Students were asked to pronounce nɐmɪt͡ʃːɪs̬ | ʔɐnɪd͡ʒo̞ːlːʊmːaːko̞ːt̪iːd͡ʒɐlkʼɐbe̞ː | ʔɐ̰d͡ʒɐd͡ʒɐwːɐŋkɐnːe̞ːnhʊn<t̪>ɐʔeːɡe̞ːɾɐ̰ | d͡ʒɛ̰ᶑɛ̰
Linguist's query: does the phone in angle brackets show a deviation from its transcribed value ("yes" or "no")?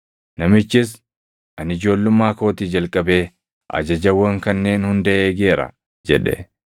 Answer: yes